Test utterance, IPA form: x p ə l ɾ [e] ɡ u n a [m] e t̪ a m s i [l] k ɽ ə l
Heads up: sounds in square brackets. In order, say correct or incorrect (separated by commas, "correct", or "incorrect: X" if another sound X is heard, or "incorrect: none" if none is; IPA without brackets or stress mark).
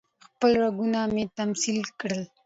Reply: incorrect: a, correct, correct